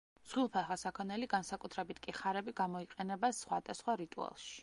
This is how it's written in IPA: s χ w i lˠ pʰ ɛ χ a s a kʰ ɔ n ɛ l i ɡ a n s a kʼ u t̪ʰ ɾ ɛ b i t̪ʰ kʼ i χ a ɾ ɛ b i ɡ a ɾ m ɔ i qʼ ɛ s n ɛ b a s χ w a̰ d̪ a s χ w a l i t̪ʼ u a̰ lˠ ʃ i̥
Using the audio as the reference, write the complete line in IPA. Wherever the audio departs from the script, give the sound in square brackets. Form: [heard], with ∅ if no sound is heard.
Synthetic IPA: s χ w i lˠ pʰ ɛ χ a s a kʰ ɔ n ɛ l i ɡ a n s a kʼ u t̪ʰ ɾ ɛ b i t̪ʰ kʼ i χ a ɾ ɛ b i ɡ a [∅] m ɔ i qʼ ɛ [∅] n ɛ b a s χ w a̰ d̪ a s χ w a [ɾ] i t̪ʼ u a̰ lˠ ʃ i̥

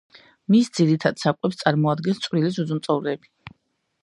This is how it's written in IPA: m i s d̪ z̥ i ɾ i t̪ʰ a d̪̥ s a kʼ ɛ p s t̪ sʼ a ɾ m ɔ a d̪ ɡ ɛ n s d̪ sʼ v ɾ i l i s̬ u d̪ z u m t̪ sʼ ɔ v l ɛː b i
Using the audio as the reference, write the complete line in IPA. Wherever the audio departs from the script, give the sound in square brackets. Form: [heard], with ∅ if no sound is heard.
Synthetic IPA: m i s d̪ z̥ i ɾ i t̪ʰ a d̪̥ s a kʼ ɛ p s t̪ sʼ a ɾ m ɔ a d̪ ɡ ɛ n s [t̪] sʼ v ɾ i l i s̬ u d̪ z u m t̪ sʼ ɔ v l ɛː b i

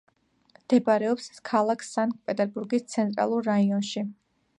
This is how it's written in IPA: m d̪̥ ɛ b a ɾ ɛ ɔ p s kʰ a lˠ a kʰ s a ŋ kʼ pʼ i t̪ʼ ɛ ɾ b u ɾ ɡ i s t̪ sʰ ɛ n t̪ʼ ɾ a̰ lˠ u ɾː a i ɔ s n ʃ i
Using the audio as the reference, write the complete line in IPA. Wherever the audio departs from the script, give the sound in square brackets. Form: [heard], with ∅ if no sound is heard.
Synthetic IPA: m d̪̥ ɛ b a ɾ ɛ ɔ p s kʰ a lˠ a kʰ s a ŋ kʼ pʼ [ɛ] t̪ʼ ɛ ɾ b u ɾ ɡ i s t̪ sʰ ɛ n t̪ʼ ɾ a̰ lˠ u ɾː a i ɔ [∅] n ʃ i

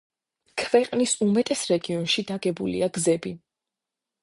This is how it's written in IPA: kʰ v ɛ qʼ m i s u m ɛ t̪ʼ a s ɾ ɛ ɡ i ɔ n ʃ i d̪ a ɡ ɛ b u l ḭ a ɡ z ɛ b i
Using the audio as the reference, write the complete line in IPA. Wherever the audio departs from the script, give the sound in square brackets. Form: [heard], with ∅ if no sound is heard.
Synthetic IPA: kʰ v ɛ qʼ [n] i s u m ɛ t̪ʼ [ɛ] s ɾ ɛ ɡ i ɔ n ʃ i d̪ a ɡ ɛ b u l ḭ a ɡ z ɛ b i

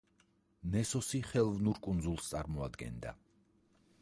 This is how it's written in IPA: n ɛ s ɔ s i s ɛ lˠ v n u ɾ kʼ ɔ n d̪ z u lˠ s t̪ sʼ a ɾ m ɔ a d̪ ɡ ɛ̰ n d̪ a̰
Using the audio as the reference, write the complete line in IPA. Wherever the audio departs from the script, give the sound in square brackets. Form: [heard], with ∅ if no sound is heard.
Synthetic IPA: n ɛ s ɔ s i [χ] ɛ lˠ v n u ɾ kʼ [u] n d̪ z u lˠ s t̪ sʼ a ɾ m ɔ a d̪ ɡ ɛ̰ n d̪ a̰

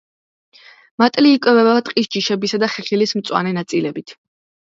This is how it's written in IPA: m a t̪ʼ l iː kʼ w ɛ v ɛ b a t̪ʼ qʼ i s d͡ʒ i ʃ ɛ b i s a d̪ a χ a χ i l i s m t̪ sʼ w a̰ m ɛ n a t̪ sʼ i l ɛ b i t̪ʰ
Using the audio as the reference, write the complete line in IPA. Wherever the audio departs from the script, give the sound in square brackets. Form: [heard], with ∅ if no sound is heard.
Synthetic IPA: m a t̪ʼ l iː kʼ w ɛ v ɛ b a t̪ʼ qʼ i s d͡ʒ i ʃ ɛ b i s a d̪ a χ [ɛ] χ i l i s m t̪ sʼ w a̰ [n] ɛ n a t̪ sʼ i l ɛ b i t̪ʰ

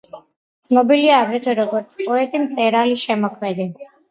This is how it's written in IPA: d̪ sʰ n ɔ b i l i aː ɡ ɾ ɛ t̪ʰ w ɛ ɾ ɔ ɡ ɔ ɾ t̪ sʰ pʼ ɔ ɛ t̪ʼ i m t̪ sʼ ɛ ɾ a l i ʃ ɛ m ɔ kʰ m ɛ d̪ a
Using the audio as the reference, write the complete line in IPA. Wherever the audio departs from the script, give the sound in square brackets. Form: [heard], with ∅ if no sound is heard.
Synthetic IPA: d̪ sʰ n ɔ b i l i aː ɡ ɾ ɛ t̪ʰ w ɛ ɾ ɔ ɡ ɔ ɾ t̪ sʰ pʼ ɔ ɛ t̪ʼ i m t̪ sʼ ɛ ɾ a l i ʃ ɛ m ɔ kʰ m ɛ d̪ [i]

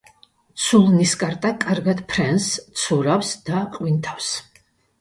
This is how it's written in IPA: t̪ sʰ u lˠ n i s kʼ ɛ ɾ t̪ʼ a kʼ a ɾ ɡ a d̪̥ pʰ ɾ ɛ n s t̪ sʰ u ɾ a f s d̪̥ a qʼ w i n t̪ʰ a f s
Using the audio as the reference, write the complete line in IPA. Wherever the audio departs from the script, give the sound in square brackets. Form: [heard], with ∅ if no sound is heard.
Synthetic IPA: t̪ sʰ u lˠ n i s kʼ [a] ɾ t̪ʼ a kʼ a ɾ ɡ a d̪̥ pʰ ɾ ɛ n s t̪ sʰ u ɾ a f s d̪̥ a qʼ w i n t̪ʰ a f s

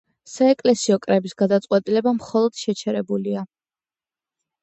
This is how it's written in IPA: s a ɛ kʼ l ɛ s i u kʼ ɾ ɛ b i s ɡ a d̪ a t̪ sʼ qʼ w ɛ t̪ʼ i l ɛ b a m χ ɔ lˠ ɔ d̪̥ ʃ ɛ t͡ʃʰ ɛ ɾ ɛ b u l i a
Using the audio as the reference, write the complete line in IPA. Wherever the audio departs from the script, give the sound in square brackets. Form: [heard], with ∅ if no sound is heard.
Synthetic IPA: s a ɛ kʼ l ɛ s i [ɔ] kʼ ɾ ɛ b i s ɡ a d̪ a t̪ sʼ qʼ w ɛ t̪ʼ i l ɛ b a m χ ɔ lˠ ɔ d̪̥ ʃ ɛ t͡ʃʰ ɛ ɾ ɛ b u l i a

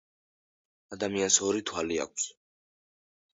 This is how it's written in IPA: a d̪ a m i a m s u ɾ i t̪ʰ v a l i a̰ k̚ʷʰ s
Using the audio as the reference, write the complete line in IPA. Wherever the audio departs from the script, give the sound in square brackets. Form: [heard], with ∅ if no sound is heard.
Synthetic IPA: a d̪ a m i a [n] s [ɔ] ɾ i t̪ʰ [w] a l i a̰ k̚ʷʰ s

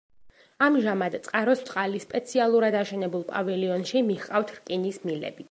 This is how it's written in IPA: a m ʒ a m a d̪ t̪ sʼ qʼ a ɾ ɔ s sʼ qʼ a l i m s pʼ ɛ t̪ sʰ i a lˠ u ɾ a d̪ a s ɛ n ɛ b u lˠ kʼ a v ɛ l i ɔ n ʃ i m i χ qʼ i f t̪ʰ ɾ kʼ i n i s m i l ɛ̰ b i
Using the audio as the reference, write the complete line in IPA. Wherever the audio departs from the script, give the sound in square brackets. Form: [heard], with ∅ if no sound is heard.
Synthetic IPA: a m ʒ a m a d̪ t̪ sʼ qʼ a ɾ ɔ s sʼ qʼ a l i [∅] s pʼ ɛ t̪ sʰ i a lˠ u ɾ a d̪ a [ʃ] ɛ n ɛ b u lˠ [pʼ] a v ɛ l i ɔ n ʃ i m i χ qʼ [a] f t̪ʰ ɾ kʼ i n i s m i l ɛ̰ b i

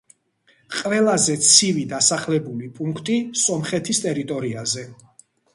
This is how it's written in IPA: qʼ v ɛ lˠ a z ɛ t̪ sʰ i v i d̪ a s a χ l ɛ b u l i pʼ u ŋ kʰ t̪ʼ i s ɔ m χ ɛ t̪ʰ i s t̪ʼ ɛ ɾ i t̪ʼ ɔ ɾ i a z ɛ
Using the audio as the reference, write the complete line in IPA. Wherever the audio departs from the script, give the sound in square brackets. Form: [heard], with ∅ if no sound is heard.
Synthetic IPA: qʼ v ɛ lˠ a z ɛ t̪ sʰ i v i d̪ a s a χ l ɛ b u l i pʼ u ŋ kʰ t̪ʼ i s ɔ m χ ɛ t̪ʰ i s t̪ʼ ɛ ɾ i t̪ʼ ɔ ɾ i a z ɛ

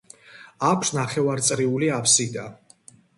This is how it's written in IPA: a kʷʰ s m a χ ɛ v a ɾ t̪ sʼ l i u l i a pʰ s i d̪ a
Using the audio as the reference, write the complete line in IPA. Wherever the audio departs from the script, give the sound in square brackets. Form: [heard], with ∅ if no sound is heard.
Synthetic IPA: a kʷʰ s [n] a χ ɛ v a ɾ t̪ sʼ [ɾ] i u l i a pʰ s i d̪ a

